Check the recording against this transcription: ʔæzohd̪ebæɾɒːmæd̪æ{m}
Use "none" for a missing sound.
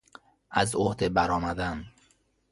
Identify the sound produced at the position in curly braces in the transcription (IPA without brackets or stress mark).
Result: n